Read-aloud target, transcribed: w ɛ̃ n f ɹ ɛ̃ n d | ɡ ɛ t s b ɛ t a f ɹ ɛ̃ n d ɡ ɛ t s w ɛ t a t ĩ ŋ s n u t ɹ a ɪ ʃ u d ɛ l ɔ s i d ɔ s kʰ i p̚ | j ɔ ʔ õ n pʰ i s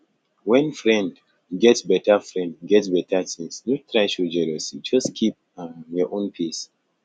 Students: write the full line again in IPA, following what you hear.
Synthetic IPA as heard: w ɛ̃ n f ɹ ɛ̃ n d | ɡ ɛ t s b ɛ t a f ɹ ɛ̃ n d ɡ ɛ t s b ɛ t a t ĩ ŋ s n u t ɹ a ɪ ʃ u d͡ʒ ɛ l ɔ s i d͡ʒ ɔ s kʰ i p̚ | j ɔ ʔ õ n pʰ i s